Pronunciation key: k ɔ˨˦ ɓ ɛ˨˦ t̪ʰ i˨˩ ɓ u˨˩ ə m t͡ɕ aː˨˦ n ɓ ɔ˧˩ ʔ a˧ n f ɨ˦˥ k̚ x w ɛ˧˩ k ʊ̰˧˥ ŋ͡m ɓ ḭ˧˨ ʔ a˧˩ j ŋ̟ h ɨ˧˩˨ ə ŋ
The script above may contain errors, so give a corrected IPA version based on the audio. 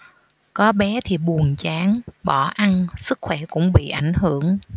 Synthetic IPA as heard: k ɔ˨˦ ɓ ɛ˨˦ t̪ʰ i˨˩ ɓ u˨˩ ə n t͡ɕ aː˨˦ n ɓ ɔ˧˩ ʔ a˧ n s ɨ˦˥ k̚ x w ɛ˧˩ k ʊ̰˧˥ ŋ͡m ɓ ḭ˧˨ ʔ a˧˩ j ŋ̟ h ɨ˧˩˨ ə ŋ